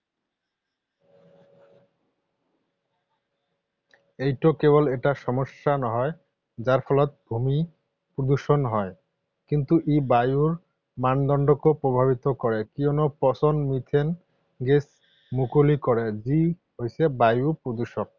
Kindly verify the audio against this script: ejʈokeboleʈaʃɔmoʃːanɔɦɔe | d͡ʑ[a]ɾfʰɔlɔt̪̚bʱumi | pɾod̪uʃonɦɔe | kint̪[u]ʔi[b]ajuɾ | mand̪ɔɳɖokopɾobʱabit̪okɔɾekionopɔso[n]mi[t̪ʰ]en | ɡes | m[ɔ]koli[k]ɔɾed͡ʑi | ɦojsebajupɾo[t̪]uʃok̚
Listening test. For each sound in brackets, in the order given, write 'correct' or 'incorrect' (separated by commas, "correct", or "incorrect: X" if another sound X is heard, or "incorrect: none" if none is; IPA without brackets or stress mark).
correct, correct, correct, correct, correct, incorrect: u, correct, incorrect: d̪